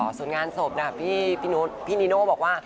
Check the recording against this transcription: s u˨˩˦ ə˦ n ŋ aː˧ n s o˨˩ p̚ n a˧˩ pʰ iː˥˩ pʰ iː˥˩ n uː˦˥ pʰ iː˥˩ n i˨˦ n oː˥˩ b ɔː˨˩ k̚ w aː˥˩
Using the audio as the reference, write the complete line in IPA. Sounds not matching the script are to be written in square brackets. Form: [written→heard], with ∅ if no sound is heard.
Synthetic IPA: s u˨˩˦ ə˦ n ŋ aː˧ n s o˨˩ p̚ n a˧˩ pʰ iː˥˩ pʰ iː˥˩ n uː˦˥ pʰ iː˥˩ n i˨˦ n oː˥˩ b ɔː˨˩ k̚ w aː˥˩